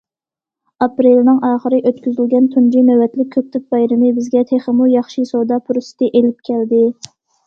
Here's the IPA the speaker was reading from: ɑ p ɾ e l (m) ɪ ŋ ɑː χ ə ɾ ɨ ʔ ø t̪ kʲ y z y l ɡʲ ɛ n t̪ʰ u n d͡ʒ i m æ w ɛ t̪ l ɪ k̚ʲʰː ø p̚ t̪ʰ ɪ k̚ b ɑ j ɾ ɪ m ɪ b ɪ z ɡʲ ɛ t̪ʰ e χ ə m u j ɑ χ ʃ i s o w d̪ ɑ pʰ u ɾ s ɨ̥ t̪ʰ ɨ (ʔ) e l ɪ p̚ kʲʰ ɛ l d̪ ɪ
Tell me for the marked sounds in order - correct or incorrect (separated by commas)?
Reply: incorrect, correct